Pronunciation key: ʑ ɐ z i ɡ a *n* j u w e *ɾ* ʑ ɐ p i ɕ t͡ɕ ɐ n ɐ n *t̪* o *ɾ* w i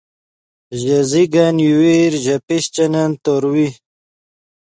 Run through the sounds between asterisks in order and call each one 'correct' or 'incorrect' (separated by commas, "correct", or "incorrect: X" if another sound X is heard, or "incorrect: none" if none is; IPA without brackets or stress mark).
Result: correct, correct, correct, correct